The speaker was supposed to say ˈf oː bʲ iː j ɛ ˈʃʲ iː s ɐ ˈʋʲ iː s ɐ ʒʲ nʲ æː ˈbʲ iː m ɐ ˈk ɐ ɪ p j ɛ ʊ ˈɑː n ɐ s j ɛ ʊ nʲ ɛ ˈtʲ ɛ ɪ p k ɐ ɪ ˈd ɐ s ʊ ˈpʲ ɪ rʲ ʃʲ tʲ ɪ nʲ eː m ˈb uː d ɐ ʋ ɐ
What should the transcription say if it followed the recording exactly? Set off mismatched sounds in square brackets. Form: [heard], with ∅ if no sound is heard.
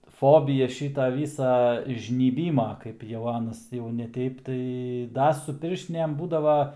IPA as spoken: ˈf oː bʲ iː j ɛ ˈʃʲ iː [t] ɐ ˈʋʲ iː s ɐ ʒʲ nʲ [iː] ˈbʲ iː m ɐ ˈk ɐ ɪ p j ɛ ʊ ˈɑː n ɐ s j ɛ ʊ nʲ ɛ ˈtʲ ɛ ɪ p [t] ɐ ɪ ˈd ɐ s ʊ ˈpʲ ɪ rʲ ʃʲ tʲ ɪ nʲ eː m ˈb uː d ɐ ʋ ɐ